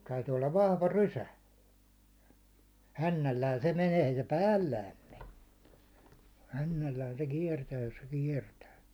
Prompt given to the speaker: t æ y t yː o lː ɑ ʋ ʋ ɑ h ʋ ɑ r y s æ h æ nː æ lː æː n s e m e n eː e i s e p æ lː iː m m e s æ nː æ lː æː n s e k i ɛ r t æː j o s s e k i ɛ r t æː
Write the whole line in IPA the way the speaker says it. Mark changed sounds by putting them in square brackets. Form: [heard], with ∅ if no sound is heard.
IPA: t æ y t yː o lː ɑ ʋ ʋ ɑ h ʋ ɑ r y s æ h æ nː æ lː æː n s e m e n eː e i s e p [æː] lː [æː] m m e [h] æ nː æ lː æː n s e k i ɛ r t æː j o s s e k i ɛ r t æː

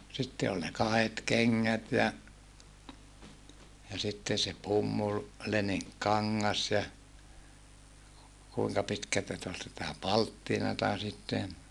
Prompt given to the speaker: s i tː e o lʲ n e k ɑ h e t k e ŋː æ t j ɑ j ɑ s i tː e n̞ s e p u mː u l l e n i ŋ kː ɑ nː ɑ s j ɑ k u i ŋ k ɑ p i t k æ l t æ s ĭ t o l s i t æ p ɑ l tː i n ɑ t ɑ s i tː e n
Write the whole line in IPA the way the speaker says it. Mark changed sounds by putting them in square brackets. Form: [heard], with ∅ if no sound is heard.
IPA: s i tː e o lʲ n e k ɑ h e t k e ŋː æ t j ɑ j ɑ s i tː e n̞ s e p u mː u l l e n i ŋ kː ɑ [ŋː] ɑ s j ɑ k u i ŋ k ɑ p i t k æ l t æ s ĭ t o l s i t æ p ɑ l tː i n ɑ t ɑ s i tː e n

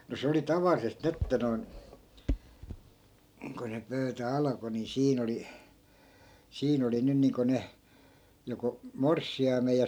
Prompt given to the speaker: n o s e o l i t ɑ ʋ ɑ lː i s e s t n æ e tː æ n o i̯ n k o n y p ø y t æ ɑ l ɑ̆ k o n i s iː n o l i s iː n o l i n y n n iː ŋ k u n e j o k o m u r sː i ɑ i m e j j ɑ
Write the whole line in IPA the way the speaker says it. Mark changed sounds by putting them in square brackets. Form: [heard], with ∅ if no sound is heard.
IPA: n o s e o l i t ɑ ʋ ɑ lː i s e s t n [i] e tː æ n o i̯ n k o n y p ø y t æ ɑ l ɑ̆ k o n i s iː n o l i s iː n o l i n y n n iː ŋ k [o] n e j o k o m [o] r sː i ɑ i m e j j ɑ

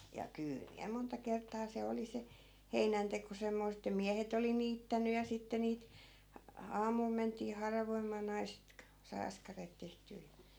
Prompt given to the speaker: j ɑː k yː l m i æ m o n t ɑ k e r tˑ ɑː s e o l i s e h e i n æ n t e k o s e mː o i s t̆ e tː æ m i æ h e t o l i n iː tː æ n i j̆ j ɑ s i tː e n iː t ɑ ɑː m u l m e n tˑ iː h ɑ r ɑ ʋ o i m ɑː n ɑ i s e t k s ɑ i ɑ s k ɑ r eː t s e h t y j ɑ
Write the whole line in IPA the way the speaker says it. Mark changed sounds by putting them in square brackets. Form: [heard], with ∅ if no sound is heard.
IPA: j [ɑ] k yː l m i æ m o n t ɑ k e r tˑ ɑː s e o l i s e h e i n æ n t e k o s e mː o i s t̆ e tː æ m i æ h e t o l i n iː tː æ n [y] j̆ j ɑ s i tː e n iː t ɑ ɑː m u l m e n tˑ iː h ɑ r ɑ ʋ o i m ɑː n ɑ i s e t k s ɑ i ɑ s k ɑ r eː t [t] e h t [yː] j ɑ

